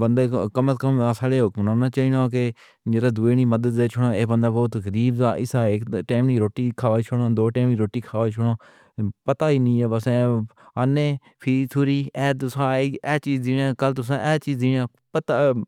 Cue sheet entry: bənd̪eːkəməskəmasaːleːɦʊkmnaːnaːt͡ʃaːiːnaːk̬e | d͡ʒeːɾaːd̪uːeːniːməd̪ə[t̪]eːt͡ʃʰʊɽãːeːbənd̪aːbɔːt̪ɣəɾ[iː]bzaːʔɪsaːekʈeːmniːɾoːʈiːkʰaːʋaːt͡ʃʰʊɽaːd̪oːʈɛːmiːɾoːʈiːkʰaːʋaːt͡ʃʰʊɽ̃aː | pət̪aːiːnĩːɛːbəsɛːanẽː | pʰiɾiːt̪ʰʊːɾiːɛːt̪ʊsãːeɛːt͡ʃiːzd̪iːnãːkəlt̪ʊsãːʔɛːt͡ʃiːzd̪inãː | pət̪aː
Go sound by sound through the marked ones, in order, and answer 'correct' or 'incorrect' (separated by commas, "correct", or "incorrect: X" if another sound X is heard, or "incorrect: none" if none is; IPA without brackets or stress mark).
incorrect: d̪, correct